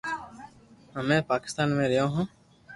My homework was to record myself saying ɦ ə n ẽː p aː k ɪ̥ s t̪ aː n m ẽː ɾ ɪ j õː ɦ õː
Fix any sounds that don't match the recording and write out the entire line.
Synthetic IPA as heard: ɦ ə m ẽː p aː k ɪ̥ s t̪ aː n m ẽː ɾ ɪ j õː ɦ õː